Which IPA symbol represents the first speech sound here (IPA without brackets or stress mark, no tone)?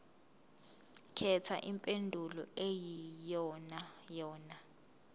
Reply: kʰ